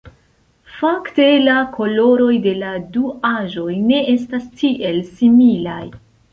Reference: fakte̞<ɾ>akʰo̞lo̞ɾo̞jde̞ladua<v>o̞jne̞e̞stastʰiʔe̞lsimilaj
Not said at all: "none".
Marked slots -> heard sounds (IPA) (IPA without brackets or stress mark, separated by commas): l, ʒ